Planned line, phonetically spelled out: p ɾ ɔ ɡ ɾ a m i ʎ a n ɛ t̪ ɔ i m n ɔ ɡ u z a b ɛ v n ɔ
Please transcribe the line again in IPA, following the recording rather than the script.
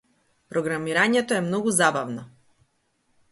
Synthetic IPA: p ɾ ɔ ɡ ɾ a m i ɾ a ɲ ɛ t̪ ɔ ɛ m n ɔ ɡ u z a b a v n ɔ